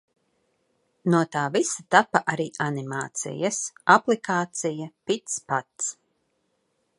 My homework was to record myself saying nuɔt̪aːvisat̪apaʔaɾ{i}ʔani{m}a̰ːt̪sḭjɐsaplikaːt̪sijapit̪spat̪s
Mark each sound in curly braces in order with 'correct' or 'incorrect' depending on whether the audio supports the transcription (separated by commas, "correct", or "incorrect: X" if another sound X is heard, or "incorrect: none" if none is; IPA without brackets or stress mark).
incorrect: iː, correct